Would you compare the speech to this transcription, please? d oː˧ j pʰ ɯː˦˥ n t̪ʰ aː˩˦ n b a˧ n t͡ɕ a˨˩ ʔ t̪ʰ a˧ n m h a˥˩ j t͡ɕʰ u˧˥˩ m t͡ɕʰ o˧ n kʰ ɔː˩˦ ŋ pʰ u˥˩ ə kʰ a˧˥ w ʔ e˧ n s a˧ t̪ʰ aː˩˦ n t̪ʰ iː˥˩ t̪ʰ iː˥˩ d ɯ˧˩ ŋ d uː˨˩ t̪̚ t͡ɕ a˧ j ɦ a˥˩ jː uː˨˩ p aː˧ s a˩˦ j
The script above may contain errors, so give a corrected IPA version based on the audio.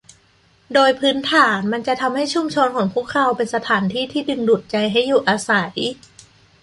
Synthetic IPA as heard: d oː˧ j pʰ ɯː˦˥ n t̪ʰ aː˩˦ n m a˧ n t͡ɕ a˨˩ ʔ t̪ʰ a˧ m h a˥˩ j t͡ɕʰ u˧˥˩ m t͡ɕʰ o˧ n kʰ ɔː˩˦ ŋ pʰ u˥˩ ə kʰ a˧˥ w p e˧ n s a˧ t̪ʰ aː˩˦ n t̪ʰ iː˥˩ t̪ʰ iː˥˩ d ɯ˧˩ ŋ d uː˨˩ t̪̚ t͡ɕ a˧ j ɦ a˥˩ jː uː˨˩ ʔ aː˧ s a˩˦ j